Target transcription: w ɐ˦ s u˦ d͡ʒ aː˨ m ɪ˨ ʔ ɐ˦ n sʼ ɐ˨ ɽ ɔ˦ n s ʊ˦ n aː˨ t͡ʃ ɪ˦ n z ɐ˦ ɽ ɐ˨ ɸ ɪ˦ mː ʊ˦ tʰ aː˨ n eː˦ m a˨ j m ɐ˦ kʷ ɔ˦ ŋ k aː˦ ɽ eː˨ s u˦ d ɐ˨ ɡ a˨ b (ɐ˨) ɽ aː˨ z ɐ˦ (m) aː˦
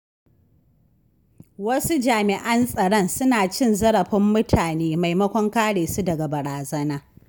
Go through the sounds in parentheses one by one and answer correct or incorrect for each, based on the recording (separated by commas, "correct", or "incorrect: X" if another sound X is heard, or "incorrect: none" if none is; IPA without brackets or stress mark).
correct, incorrect: n